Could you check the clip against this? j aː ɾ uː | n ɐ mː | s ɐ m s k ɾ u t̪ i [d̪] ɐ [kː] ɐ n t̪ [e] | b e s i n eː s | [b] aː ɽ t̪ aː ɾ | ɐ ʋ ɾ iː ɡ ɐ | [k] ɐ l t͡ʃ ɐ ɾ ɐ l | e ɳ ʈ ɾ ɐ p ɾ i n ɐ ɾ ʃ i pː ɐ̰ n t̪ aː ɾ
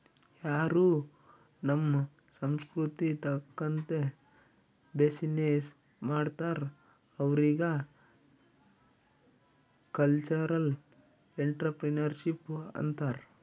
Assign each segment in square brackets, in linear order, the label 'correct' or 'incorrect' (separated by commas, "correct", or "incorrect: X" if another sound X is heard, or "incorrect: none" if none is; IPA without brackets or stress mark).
incorrect: t̪, correct, correct, incorrect: m, correct